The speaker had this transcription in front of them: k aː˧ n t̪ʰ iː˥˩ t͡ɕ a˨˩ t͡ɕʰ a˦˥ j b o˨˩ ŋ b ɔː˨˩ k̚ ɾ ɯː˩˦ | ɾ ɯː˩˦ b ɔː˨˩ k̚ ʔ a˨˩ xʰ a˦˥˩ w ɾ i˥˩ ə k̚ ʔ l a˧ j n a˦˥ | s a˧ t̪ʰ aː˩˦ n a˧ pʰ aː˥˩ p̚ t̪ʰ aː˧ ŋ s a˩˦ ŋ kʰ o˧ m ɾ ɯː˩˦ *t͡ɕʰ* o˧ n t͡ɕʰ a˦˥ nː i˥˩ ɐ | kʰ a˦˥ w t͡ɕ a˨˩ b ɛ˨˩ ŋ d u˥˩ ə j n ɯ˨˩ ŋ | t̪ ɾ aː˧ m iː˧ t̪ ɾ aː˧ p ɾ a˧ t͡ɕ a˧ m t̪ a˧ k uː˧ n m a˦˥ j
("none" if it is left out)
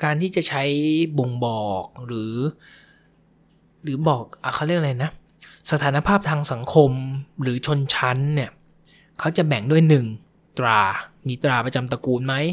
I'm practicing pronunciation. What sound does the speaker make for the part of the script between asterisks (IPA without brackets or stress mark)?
t͡ɕʰ